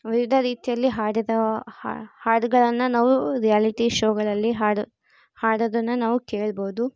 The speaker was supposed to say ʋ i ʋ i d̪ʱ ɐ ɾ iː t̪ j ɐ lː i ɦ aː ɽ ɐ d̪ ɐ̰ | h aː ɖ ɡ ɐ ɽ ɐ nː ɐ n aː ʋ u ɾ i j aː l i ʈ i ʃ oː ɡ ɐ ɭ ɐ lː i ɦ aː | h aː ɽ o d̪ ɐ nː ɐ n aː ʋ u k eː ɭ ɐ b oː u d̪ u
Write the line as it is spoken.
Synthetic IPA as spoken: ʋ i ʋ i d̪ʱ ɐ ɾ iː t̪ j ɐ lː i ɦ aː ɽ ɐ d̪ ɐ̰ | h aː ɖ ɡ ɐ ɭ ɐ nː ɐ n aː ʋ u ɾ i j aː l i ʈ i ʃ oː ɡ ɐ ɭ ɐ lː i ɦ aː | h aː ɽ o d̪ ɐ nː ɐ n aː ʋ u k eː ɭ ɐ b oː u d̪ u